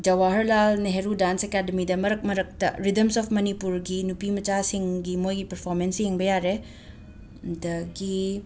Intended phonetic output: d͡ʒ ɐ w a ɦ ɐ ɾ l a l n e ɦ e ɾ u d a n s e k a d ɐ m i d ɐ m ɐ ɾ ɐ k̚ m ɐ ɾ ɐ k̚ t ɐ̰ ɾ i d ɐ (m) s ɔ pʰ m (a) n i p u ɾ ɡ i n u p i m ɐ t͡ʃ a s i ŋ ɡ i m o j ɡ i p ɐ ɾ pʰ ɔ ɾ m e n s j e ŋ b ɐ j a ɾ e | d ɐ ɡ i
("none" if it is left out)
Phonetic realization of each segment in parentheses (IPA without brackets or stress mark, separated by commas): m, ɐ